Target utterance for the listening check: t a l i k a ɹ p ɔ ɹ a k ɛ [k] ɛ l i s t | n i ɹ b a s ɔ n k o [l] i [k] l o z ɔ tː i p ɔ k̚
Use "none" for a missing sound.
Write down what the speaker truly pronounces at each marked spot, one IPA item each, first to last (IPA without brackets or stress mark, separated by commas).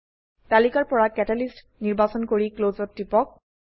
t, ɹ, k